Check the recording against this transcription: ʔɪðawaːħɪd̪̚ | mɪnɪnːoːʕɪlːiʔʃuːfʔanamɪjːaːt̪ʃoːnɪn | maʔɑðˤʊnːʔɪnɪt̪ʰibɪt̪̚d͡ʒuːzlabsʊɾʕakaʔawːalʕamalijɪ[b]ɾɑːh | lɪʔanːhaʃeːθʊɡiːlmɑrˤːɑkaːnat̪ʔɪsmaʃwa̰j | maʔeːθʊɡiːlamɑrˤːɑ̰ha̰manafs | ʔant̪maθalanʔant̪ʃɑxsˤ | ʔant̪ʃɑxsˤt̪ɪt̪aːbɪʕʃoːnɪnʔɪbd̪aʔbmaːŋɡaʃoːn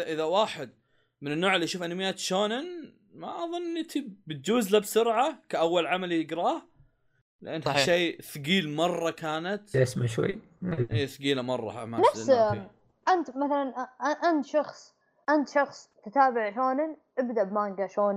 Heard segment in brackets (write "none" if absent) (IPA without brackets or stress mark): ɡ